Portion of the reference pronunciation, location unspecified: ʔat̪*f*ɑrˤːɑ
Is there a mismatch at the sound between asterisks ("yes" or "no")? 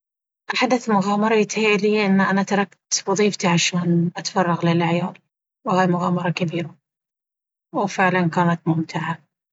no